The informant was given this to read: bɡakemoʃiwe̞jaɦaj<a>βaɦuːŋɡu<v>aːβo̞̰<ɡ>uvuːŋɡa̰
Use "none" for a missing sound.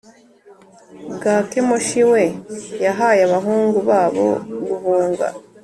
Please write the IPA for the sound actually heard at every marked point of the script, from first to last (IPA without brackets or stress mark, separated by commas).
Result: a, β, ɡ